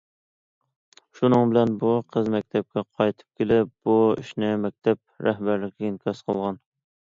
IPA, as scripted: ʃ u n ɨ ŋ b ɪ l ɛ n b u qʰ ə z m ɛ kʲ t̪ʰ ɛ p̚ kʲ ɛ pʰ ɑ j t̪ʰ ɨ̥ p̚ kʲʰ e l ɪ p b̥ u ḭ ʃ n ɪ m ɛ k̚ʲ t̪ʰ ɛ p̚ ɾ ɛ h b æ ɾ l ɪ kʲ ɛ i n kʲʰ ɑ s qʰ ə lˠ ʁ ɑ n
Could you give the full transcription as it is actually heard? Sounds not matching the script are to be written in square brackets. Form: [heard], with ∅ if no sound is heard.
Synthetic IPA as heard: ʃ u n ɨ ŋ b ɪ l ɛ n b u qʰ ə z m ɛ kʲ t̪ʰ ɛ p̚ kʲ ɛ [qʰ] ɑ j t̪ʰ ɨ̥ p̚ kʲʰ e l ɪ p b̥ u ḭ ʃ n ɪ m ɛ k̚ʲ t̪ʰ ɛ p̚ ɾ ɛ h b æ ɾ l ɪ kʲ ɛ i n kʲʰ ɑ s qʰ ə lˠ ʁ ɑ n